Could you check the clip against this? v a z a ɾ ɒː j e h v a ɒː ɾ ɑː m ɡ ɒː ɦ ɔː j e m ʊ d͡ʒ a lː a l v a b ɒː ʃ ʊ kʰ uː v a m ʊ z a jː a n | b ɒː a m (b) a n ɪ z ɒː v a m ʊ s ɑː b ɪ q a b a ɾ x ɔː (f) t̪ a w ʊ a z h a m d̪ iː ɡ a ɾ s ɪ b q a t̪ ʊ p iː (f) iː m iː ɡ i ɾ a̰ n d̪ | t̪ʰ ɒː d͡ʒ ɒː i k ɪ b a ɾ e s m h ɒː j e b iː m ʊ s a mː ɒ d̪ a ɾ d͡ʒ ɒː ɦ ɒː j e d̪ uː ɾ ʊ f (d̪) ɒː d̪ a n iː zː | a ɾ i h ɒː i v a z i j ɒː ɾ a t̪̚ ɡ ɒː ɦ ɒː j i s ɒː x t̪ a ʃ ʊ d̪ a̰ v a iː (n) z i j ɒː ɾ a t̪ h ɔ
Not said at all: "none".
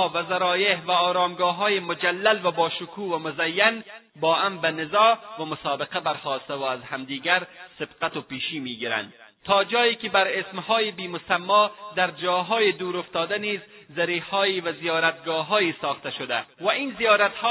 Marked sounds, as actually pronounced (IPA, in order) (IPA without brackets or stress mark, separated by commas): b, s, ʃ, t̪, n